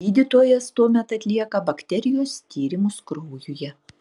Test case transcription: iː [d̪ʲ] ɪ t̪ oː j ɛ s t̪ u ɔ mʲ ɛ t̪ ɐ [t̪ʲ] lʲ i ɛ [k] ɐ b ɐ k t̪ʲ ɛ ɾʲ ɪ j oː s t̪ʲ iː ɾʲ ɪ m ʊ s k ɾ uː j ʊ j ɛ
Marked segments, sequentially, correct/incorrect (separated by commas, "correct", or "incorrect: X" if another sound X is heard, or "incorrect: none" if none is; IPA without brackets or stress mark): correct, correct, correct